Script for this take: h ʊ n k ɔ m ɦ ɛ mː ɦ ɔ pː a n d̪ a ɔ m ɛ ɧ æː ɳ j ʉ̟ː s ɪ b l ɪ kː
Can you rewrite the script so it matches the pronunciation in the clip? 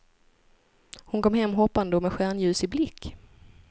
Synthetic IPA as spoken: h ʊ n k ɔ m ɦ ɛ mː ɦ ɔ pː a n d̪ ə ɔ m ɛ ɧ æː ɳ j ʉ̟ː s ɪ b l ɪ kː